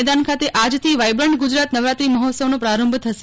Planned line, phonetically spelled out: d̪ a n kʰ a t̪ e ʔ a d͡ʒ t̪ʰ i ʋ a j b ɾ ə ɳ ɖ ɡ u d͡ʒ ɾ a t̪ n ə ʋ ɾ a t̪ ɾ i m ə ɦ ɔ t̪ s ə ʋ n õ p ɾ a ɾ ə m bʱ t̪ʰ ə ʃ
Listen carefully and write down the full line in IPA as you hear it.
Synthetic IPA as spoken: d̪ a n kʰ a t̪ e ʔ a d͡ʒ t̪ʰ i ʋ a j b ɾ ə ɳ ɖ ɡ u d͡ʒ ɾ a t̪ n ə ʋ ɾ a t̪ ɾ i m ə ɦ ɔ t̪ s ə ʋ n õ p ɾ a ɾ ə m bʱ t̪ʰ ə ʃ